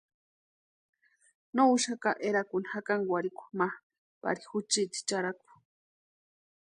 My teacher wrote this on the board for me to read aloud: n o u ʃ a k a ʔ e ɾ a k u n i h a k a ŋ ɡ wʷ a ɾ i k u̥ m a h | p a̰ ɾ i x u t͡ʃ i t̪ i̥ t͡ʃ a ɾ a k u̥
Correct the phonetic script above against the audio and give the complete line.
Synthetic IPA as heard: n o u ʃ a k a ʔ e ɾ a k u n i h a k a ŋ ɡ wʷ a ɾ i k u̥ m a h | p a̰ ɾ i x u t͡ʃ i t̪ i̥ t͡ʃ a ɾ a k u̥